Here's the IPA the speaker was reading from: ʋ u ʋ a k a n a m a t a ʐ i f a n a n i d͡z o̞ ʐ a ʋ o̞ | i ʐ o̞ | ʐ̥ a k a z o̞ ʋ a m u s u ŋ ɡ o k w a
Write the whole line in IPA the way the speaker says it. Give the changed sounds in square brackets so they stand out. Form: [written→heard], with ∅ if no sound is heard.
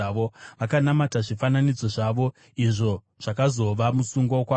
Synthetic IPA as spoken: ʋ [u→o] ʋ a k a n a m a t a ʐ i f a n a n i d͡z o̞ ʐ a ʋ o̞ | i ʐ o̞ | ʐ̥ a k a z o̞ ʋ a m u s u ŋ ɡ o k w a